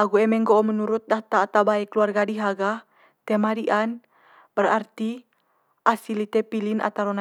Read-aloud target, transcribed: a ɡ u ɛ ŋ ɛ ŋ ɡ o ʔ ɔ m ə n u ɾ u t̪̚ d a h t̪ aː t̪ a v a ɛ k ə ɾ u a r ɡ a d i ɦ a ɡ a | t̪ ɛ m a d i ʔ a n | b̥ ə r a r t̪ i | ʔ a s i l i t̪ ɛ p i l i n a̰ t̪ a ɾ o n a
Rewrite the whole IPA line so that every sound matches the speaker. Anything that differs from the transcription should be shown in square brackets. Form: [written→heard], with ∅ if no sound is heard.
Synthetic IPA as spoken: a ɡ u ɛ [ŋ→m] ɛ ŋ ɡ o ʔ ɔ m ə n u ɾ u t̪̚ d a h t̪ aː t̪ a [v→b] a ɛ k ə [ɾ→l] u a r ɡ a d i ɦ a ɡ a | t̪ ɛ m a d i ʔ a n | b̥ ə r a r t̪ i | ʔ a s i l i t̪ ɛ p i l i n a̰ t̪ a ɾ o n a